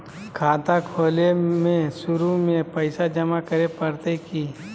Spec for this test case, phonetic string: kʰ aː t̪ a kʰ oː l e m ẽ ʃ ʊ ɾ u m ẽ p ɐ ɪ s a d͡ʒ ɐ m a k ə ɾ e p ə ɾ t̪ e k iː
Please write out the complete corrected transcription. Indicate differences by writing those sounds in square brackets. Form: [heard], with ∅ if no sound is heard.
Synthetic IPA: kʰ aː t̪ a kʰ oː l e m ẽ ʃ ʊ ɾ u m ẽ p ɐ ɪ s a d͡ʒ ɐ m a k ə ɾ e p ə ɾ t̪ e k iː